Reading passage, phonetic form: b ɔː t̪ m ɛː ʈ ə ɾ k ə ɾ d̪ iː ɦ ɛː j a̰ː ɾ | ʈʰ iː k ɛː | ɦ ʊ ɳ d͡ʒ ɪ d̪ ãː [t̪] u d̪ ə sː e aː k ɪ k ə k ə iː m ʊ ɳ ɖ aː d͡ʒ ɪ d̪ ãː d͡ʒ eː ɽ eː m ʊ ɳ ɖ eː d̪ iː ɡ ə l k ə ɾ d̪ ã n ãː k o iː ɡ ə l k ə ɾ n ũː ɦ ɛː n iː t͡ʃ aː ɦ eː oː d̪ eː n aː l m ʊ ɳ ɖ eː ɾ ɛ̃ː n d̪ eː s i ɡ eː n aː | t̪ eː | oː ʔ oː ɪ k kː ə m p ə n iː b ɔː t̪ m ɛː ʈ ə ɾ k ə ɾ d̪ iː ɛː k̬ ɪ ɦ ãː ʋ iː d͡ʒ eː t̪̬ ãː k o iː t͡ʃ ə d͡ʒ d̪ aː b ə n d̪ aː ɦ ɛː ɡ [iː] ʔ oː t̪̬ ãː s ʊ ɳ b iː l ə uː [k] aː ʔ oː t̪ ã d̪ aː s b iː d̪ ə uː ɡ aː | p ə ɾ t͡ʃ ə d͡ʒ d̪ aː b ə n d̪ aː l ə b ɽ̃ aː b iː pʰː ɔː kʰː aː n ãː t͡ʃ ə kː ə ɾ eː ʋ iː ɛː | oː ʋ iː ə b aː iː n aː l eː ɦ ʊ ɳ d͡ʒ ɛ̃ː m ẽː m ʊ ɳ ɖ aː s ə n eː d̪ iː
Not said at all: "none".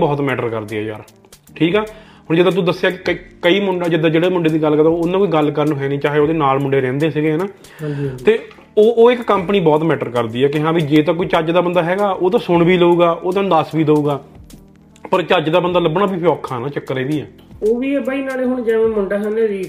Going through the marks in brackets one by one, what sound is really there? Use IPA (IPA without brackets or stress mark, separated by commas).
t̪, aː, ɡ